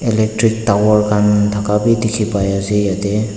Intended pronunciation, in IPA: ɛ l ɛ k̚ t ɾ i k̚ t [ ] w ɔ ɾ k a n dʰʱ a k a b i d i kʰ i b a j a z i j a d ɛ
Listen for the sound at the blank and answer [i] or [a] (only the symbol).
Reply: a